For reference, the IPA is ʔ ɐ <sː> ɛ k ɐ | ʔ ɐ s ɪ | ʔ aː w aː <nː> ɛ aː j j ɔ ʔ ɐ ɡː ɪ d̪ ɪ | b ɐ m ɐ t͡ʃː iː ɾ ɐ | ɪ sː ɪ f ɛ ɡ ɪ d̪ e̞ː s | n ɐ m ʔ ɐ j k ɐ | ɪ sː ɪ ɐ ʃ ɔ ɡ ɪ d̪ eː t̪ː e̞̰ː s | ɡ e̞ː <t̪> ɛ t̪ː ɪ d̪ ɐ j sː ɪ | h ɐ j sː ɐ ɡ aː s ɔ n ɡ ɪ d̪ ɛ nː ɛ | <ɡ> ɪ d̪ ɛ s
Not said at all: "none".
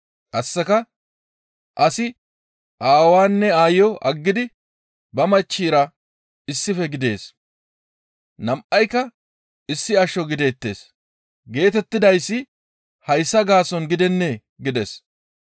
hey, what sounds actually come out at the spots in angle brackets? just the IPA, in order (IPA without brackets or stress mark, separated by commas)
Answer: sː, nː, t̪, ɡ